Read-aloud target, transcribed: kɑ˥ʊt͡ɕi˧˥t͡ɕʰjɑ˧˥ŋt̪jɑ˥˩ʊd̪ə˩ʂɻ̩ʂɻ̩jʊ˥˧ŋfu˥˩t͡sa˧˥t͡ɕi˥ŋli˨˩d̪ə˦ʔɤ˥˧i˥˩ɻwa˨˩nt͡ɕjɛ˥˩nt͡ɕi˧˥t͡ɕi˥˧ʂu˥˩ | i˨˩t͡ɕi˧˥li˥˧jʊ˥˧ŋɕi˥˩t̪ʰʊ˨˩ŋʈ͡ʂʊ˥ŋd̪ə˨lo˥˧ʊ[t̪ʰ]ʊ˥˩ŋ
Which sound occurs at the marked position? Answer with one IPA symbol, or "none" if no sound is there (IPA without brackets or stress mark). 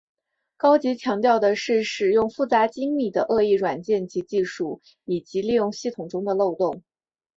t̪